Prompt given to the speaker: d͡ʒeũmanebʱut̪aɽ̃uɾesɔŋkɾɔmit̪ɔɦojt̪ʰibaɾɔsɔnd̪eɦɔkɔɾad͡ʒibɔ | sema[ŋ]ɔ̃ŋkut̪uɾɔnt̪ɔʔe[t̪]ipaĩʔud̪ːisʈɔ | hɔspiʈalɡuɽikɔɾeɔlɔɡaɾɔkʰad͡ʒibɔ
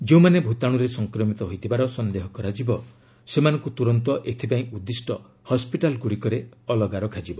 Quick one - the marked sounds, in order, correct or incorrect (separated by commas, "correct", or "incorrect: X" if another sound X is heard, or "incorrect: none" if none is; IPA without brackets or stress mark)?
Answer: incorrect: n, incorrect: t̪ʰ